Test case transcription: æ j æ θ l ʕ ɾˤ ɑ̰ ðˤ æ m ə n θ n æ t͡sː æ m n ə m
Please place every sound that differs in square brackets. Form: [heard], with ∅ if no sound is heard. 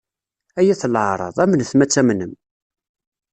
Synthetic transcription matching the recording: æ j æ θ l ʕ ɾˤ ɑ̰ ðˤ æ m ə n θ [m] æ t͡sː æ m n ə m